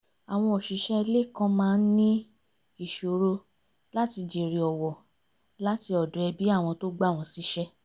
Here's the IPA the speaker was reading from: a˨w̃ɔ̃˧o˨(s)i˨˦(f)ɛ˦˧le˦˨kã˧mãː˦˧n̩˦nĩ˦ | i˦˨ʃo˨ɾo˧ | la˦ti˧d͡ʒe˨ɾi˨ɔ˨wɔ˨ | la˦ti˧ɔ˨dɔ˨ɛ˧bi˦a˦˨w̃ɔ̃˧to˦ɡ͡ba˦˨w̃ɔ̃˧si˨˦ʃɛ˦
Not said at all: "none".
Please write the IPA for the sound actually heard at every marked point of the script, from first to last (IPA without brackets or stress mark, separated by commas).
ʃ, ʃ